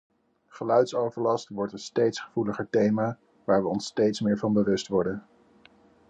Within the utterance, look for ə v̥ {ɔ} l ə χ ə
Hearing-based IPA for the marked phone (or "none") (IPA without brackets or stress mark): u